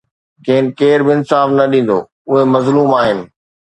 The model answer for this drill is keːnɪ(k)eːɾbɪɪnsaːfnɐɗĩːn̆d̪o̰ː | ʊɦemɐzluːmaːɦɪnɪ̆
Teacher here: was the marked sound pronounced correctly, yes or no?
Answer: yes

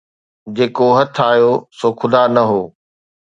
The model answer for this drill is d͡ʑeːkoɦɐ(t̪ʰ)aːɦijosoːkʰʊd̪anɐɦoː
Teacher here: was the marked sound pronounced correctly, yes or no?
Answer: yes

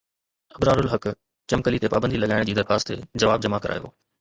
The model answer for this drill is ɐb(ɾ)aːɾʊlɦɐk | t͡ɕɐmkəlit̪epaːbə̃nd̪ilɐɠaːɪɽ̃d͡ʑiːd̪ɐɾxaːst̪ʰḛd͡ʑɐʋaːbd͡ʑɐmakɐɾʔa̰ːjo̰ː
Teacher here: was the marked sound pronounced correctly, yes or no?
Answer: yes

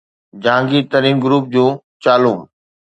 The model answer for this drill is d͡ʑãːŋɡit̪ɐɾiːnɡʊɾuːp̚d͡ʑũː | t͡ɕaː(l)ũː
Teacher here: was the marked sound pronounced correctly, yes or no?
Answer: yes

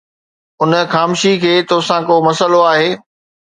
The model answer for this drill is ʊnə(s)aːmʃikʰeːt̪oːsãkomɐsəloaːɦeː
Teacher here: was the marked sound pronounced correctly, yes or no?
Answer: no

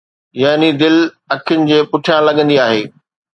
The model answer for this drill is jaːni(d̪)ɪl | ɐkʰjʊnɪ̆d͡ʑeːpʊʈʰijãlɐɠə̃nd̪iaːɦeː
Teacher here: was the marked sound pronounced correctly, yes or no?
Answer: yes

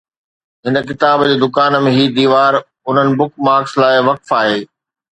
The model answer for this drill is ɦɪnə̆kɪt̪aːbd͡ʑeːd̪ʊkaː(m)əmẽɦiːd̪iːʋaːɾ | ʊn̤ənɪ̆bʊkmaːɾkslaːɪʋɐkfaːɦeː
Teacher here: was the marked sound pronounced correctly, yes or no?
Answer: no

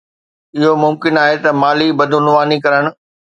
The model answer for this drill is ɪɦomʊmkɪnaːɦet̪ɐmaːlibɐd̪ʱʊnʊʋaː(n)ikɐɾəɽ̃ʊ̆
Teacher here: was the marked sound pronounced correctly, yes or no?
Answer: yes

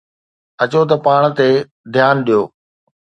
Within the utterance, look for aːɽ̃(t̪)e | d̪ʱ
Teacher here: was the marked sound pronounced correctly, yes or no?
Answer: yes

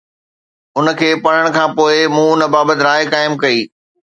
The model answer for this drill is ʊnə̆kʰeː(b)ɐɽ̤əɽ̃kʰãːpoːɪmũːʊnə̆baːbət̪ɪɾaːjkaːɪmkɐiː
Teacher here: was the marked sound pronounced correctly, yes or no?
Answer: no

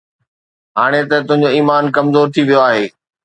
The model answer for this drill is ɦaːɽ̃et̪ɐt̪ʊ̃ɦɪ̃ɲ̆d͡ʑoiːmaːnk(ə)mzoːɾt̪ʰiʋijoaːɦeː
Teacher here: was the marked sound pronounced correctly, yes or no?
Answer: no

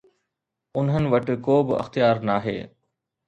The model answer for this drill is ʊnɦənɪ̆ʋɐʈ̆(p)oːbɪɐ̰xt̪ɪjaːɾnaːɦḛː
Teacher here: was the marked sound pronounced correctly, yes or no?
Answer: no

